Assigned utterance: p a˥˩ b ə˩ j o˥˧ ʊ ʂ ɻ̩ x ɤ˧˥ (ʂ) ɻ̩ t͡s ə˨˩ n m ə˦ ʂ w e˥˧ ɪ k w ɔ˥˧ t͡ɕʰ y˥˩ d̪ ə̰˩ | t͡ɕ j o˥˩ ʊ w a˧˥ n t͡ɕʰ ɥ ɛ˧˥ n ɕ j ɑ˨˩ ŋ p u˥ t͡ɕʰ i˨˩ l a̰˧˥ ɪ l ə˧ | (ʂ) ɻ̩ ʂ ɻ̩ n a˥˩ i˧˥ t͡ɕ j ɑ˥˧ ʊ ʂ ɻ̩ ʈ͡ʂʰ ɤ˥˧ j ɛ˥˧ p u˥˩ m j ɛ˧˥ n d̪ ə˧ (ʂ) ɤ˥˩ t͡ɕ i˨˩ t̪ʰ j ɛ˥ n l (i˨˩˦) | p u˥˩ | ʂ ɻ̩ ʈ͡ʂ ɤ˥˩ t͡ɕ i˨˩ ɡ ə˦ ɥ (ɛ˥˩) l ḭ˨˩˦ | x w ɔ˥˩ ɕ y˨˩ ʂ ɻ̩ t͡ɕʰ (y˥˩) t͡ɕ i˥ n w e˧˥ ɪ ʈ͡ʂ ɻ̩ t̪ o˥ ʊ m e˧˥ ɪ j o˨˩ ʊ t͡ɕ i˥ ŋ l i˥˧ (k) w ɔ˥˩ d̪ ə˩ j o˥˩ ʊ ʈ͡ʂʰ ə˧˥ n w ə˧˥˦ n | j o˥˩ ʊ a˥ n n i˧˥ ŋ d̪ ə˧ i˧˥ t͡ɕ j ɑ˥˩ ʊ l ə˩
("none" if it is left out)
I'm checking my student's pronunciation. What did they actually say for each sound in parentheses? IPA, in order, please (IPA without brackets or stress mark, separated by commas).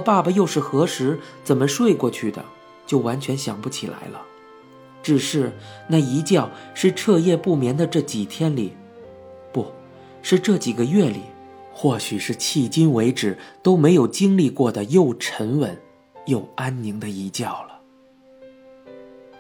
ʂ, ʈ͡ʂ, ʈ͡ʂ, i˨˩˦, ɛ˥˩, i˥˩, k